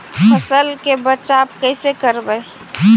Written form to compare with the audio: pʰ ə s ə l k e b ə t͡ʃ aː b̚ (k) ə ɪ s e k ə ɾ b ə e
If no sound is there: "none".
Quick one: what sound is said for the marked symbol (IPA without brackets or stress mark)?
k